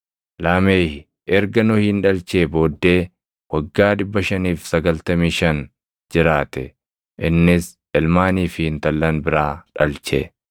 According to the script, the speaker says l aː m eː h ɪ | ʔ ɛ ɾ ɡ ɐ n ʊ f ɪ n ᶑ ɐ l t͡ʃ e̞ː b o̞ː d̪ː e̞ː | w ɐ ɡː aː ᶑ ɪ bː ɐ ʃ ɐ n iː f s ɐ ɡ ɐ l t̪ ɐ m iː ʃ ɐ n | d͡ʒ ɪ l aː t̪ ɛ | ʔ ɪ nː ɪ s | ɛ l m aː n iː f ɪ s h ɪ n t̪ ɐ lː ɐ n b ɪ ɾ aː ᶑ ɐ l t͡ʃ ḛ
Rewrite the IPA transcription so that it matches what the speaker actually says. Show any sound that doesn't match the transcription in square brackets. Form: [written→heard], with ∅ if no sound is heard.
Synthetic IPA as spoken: l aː m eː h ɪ | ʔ ɛ ɾ ɡ ɐ n ʊ [f→h] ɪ n ᶑ ɐ l t͡ʃ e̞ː b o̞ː d̪ː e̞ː | w ɐ ɡː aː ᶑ ɪ bː ɐ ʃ ɐ n iː f s ɐ ɡ ɐ l t̪ ɐ m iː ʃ ɐ n | d͡ʒ ɪ [l→ɾ] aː t̪ ɛ | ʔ ɪ nː ɪ s | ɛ l m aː n iː f ɪ [s→∅] h ɪ n t̪ ɐ lː ɐ n b ɪ ɾ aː ᶑ ɐ l t͡ʃ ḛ

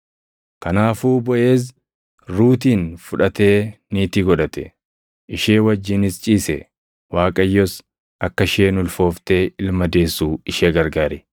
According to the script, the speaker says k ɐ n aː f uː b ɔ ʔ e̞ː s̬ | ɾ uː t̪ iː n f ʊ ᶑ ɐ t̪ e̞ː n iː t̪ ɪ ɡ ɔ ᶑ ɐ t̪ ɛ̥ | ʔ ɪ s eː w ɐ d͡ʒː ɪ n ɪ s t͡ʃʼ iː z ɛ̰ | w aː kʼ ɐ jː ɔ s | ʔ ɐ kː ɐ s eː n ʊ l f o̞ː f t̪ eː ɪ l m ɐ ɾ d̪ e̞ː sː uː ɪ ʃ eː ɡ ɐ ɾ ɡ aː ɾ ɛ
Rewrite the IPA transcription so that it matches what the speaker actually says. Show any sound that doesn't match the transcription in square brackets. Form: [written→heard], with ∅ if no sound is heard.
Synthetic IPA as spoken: k ɐ n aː f uː b ɔ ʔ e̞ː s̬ | ɾ uː t̪ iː n f ʊ ᶑ ɐ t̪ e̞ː n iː t̪ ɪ ɡ ɔ ᶑ ɐ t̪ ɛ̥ | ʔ ɪ [s→ʃ] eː w ɐ d͡ʒː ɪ n ɪ s t͡ʃʼ iː [z→s] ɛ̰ | w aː kʼ ɐ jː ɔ s | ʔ ɐ kː ɐ [s→ʃ] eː n ʊ l f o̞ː f t̪ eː ɪ l m ɐ [ɾ→∅] d̪ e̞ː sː uː ɪ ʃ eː ɡ ɐ ɾ ɡ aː ɾ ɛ

